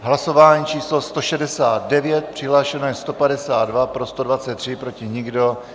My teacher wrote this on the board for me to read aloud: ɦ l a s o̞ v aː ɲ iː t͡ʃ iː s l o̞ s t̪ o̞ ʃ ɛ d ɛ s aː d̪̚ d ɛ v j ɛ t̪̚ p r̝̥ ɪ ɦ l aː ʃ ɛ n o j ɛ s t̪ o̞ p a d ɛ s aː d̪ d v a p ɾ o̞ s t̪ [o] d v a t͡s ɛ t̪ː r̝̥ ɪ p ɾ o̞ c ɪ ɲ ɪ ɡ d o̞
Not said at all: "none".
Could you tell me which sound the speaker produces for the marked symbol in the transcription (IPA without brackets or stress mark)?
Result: o